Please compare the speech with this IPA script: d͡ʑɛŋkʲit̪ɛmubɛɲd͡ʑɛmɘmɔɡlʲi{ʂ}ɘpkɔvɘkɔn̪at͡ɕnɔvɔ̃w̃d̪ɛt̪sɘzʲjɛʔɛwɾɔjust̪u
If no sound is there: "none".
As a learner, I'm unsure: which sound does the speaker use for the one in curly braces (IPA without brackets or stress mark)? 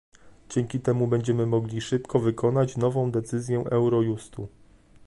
ʂ